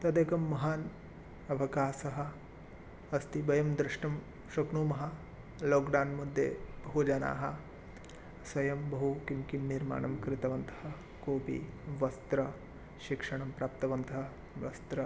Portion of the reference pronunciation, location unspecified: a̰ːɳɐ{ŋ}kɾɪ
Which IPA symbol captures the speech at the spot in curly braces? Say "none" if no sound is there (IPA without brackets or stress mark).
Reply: m